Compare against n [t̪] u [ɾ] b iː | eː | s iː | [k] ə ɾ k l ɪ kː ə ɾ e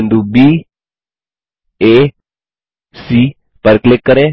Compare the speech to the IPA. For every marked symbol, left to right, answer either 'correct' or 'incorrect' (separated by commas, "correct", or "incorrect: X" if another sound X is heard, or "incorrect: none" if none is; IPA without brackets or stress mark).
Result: incorrect: d̪, incorrect: none, incorrect: p